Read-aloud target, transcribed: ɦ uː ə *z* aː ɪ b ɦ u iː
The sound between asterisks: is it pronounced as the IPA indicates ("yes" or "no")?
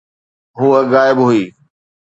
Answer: no